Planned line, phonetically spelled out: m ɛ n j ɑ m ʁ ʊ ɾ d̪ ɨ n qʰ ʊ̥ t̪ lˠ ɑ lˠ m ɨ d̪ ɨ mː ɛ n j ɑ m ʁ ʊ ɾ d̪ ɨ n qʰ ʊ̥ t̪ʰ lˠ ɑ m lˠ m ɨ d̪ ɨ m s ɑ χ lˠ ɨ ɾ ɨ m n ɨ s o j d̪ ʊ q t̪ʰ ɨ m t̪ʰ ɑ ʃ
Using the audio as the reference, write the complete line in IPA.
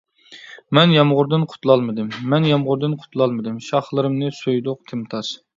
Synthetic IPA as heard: m ɛ n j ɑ m ʁ ʊ ɾ d̪ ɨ n qʰ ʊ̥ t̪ lˠ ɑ lˠ m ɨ d̪ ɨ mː ɛ n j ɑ m ʁ ʊ ɾ d̪ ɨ n qʰ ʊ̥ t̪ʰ lˠ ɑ lˠ m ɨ d̪ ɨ m ʃ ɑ χ lˠ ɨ ɾ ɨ m n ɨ s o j d̪ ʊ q t̪ʰ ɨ m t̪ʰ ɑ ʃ